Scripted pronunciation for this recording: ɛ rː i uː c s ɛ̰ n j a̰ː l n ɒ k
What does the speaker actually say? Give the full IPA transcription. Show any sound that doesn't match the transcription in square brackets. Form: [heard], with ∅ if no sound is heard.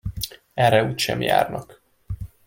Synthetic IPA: ɛ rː [ɛ] uː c [ʃ] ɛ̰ [m] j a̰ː [r] n ɒ k